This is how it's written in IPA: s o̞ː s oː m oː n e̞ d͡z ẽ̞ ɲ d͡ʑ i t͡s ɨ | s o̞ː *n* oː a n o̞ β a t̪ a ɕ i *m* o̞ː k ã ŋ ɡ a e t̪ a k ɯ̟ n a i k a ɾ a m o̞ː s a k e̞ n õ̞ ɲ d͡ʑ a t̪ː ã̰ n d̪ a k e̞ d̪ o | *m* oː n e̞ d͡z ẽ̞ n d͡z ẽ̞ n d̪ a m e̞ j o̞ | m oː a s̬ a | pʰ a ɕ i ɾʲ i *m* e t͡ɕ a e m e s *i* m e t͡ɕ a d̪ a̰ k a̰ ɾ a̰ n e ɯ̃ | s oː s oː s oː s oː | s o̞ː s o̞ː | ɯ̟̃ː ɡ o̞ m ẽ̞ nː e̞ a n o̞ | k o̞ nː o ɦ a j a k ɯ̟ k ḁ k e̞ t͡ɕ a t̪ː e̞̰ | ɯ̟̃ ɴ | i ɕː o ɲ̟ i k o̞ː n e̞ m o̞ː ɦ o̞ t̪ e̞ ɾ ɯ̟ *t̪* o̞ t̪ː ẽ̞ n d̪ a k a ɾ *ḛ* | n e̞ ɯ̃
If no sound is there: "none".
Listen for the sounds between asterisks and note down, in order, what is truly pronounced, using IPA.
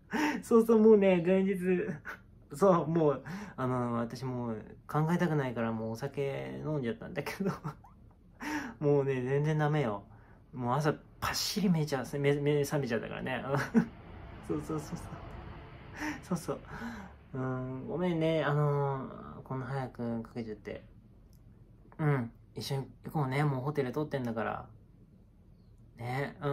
m, m, m, m, a, t̪, a̰

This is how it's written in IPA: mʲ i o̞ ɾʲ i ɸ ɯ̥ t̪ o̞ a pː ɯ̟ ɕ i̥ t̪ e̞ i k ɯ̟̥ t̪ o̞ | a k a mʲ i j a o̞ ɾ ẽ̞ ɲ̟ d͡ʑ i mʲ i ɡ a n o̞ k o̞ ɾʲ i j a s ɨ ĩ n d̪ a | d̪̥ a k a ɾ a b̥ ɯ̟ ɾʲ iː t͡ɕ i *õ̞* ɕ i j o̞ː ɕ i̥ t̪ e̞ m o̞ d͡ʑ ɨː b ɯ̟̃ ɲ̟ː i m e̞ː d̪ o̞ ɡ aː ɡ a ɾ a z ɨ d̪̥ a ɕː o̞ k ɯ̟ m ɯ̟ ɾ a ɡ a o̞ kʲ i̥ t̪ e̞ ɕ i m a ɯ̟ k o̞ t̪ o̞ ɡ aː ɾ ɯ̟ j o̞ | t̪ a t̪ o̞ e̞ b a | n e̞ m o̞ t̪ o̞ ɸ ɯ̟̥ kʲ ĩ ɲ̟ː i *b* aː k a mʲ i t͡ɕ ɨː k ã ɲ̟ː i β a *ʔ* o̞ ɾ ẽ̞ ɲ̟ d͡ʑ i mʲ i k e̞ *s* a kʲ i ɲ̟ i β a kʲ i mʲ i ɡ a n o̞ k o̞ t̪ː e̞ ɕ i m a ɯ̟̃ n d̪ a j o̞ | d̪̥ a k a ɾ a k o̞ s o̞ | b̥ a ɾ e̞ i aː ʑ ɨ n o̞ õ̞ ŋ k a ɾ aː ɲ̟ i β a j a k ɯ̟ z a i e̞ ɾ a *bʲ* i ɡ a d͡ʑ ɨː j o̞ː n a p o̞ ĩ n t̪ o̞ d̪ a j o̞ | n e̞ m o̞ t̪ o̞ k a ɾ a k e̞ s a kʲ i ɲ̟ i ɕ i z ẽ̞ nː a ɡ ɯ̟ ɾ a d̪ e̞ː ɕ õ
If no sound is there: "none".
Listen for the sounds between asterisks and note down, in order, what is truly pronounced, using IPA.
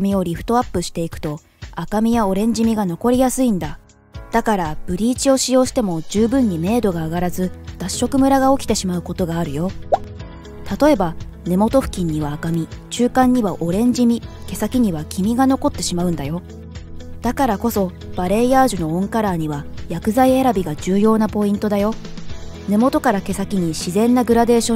o̞, β, ʔ, s, bʲ

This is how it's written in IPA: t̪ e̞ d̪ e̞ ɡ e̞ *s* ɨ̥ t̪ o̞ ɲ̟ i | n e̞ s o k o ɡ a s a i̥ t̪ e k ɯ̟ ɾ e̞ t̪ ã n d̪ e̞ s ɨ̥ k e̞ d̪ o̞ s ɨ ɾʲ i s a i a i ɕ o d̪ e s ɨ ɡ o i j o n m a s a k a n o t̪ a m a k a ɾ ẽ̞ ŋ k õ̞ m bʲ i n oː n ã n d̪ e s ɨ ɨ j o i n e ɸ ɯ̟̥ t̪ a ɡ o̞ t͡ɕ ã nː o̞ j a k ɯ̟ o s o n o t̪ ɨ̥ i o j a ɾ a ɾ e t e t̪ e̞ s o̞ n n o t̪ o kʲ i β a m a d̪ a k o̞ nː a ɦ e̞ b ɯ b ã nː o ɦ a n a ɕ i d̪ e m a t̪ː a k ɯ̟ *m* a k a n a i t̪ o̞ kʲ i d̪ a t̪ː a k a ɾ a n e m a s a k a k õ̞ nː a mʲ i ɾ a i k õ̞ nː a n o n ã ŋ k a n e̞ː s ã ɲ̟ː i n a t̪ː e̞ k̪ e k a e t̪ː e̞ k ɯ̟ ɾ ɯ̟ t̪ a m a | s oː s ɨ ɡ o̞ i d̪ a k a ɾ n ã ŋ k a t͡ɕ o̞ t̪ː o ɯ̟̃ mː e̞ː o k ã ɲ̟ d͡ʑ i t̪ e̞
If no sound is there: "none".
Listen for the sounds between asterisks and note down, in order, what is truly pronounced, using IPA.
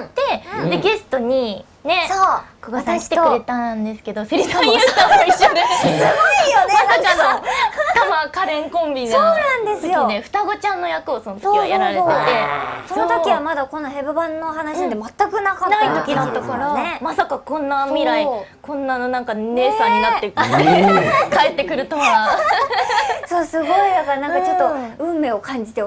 s, n

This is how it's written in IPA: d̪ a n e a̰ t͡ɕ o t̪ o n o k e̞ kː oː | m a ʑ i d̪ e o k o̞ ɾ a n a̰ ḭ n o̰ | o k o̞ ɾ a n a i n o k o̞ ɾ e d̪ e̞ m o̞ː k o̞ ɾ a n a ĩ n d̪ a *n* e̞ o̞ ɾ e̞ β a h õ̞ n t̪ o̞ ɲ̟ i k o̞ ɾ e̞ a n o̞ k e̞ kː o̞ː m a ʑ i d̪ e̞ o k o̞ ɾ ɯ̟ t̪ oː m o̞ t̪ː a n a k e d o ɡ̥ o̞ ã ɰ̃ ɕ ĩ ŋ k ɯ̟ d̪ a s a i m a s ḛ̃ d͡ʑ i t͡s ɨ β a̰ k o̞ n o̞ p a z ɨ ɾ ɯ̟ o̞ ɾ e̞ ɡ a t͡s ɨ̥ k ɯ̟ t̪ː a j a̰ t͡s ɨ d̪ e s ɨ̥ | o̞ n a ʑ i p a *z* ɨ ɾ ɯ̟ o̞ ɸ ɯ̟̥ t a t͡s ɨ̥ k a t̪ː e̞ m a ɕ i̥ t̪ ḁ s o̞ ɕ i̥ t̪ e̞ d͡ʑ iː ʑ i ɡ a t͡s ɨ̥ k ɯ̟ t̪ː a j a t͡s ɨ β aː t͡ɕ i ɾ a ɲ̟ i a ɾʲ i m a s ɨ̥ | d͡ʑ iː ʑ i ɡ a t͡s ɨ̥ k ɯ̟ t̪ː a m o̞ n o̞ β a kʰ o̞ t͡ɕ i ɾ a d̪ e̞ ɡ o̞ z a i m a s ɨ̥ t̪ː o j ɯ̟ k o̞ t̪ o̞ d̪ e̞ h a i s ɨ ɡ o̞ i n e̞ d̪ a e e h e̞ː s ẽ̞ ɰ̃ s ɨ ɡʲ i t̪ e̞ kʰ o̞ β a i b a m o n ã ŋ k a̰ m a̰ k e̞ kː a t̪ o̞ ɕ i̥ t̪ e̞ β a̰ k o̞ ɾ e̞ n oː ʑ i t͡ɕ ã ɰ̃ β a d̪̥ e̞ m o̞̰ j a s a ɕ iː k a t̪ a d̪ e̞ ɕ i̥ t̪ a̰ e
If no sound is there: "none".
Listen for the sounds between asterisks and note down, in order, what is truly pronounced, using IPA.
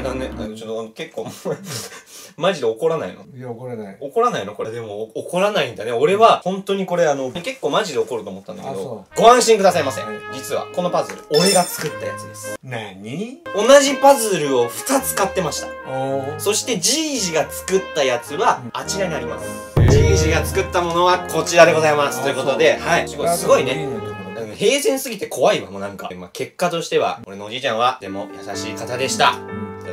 n, z

